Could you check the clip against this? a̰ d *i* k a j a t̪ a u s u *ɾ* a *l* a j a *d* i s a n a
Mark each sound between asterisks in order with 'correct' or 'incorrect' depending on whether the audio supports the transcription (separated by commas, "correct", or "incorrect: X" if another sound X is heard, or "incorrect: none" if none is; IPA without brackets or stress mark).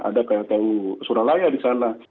incorrect: a, correct, correct, correct